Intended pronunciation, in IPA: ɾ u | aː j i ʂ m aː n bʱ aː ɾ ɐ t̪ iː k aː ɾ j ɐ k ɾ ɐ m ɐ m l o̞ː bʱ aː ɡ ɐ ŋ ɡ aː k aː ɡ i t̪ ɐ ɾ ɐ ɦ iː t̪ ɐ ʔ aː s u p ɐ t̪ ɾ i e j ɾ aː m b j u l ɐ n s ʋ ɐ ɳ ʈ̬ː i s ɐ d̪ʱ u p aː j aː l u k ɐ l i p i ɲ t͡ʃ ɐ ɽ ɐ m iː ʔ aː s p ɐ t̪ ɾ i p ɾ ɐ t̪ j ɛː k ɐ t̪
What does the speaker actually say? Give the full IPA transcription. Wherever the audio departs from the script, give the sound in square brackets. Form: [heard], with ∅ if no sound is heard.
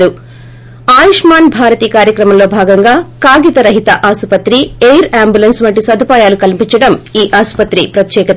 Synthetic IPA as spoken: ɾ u | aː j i ʂ m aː n bʱ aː ɾ ɐ t̪ iː k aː ɾ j ɐ k ɾ ɐ m ɐ m l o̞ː bʱ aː ɡ ɐ ŋ ɡ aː k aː ɡ i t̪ ɐ ɾ ɐ ɦ [i] t̪ ɐ ʔ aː s u p ɐ t̪ ɾ i e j ɾ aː m b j u l ɐ n s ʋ ɐ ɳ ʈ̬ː i s ɐ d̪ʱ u p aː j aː l u k ɐ l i p i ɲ t͡ʃ ɐ ɽ ɐ m iː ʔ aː s p ɐ t̪ ɾ i p ɾ ɐ t̪ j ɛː k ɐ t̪